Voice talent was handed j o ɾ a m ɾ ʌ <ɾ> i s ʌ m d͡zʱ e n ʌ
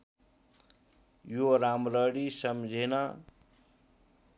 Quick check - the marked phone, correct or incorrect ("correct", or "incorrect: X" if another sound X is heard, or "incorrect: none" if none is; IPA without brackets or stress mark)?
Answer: incorrect: ɽ